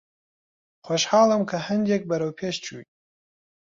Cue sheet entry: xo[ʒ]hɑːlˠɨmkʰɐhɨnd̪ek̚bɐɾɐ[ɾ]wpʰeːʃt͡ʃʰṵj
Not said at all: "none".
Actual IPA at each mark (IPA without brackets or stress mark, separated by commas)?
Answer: ʃ, none